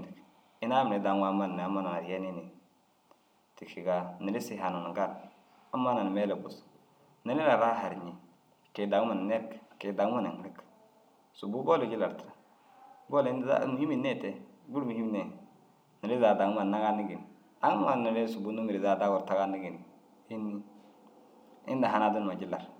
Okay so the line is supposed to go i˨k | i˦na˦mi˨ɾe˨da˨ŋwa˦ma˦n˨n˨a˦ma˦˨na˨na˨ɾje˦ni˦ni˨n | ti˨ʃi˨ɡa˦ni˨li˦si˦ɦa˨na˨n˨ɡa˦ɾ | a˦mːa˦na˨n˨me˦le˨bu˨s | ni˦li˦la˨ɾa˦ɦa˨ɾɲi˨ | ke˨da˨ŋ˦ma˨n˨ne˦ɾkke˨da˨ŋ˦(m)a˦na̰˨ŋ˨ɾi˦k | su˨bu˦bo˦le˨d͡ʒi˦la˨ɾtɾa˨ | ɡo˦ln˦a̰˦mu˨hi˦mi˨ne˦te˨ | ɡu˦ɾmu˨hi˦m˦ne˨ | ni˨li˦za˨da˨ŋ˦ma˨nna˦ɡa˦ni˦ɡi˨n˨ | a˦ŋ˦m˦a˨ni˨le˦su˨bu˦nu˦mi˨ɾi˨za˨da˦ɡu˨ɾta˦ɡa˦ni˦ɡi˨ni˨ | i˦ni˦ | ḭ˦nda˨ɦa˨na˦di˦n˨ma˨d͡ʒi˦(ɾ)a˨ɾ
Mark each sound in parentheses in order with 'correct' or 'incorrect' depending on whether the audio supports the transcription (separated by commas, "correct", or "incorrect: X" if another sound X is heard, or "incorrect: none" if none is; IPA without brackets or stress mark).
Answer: correct, incorrect: l